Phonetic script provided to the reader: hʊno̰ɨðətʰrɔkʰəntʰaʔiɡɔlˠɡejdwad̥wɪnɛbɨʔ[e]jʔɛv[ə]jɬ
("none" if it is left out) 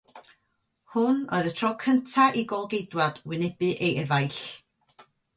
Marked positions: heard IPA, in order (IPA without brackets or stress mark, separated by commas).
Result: e, a